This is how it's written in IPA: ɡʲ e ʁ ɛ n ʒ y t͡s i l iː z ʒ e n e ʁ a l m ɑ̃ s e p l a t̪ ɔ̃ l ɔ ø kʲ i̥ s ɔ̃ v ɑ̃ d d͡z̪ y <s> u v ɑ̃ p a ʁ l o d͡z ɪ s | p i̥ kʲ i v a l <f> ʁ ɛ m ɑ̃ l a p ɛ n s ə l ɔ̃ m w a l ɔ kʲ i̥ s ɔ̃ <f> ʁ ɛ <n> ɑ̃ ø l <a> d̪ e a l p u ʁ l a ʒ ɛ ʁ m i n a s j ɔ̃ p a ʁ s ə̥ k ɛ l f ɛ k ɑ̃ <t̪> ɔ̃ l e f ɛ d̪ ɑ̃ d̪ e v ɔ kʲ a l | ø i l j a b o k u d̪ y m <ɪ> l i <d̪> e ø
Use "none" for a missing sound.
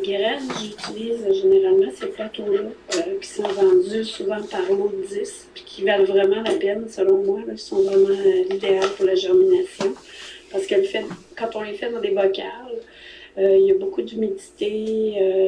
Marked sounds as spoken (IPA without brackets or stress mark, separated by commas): s, v, v, m, i, t̪, i, t̪